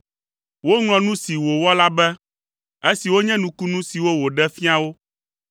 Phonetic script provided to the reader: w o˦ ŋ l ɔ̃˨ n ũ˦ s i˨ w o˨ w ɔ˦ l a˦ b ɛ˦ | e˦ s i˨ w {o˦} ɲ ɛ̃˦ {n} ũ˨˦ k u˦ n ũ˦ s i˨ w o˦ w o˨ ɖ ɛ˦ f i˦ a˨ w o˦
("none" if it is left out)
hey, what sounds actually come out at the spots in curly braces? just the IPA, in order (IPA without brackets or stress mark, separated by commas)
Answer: o˦, n